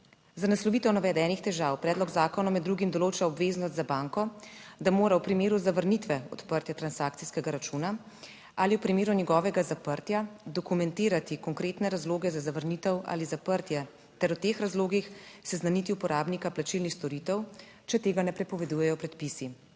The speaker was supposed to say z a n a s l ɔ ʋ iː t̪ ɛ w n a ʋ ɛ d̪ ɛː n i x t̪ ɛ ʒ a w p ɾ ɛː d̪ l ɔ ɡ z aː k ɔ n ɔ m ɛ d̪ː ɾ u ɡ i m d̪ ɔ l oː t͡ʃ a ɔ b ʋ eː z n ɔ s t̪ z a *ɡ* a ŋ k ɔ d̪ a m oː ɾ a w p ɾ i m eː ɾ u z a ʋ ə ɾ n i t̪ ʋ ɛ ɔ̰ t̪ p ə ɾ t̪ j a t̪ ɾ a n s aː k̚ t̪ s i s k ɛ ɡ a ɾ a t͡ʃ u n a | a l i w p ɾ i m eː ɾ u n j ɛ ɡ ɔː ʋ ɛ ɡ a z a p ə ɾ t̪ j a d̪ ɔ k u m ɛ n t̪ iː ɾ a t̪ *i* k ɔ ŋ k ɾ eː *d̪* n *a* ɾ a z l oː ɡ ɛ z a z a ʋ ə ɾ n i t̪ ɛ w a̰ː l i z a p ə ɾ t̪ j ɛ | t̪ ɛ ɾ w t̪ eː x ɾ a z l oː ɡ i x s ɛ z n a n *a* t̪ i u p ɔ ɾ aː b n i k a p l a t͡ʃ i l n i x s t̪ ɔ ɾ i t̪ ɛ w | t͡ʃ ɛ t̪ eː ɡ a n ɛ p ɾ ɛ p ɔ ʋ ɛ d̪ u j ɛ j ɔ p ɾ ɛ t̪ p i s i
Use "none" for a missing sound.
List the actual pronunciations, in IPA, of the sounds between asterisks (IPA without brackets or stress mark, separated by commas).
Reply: b, i, t̪, ɛ, i